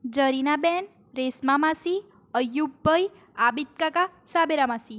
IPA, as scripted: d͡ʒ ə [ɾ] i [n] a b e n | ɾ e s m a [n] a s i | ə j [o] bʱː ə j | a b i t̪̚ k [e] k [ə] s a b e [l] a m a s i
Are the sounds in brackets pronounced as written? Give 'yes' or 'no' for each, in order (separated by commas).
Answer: yes, yes, no, no, no, no, no